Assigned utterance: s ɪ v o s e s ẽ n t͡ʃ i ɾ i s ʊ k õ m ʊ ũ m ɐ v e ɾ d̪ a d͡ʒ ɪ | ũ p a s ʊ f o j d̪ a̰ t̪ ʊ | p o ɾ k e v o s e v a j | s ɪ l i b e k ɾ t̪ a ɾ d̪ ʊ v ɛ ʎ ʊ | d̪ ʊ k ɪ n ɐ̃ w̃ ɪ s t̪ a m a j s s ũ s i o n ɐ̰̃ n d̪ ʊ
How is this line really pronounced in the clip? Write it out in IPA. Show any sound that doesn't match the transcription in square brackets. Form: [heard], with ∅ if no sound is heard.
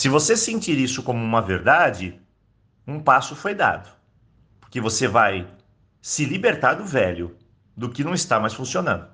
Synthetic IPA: s ɪ v o s e s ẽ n t͡ʃ i ɾ i s ʊ k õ m ʊ ũ m ɐ v e ɾ d̪ a d͡ʒ ɪ | ũ p a s ʊ f o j d̪ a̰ [d̪] ʊ | p o ɾ k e v o s e v a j | s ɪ l i b e [∅] ɾ t̪ a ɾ d̪ ʊ v ɛ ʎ ʊ | d̪ ʊ k ɪ n ɐ̃ w̃ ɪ s t̪ a m a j s [f] ũ s i o n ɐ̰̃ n d̪ ʊ